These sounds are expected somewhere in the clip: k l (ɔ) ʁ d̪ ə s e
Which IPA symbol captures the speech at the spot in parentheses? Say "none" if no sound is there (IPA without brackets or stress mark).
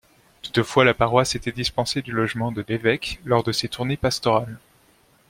ɔ